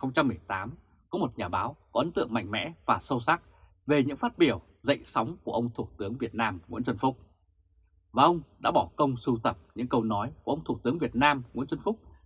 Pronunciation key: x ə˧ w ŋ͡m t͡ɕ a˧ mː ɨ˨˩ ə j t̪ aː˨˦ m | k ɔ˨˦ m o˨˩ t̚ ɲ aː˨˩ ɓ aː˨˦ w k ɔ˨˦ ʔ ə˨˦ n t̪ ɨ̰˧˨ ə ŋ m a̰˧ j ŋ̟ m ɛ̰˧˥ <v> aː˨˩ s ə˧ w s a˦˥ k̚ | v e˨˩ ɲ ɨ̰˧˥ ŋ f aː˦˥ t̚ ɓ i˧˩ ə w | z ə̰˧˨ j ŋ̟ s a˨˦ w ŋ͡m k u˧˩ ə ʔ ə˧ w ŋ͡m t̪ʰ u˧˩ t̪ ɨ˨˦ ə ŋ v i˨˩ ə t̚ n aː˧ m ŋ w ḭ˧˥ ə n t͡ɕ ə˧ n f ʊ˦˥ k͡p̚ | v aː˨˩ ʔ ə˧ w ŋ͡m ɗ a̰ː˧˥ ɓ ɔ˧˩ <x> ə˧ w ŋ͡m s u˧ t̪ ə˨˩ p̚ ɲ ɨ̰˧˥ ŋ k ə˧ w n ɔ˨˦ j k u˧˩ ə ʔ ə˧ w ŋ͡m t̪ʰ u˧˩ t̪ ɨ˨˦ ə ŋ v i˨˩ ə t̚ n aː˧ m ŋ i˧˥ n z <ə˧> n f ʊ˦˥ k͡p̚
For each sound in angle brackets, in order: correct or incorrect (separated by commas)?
correct, incorrect, correct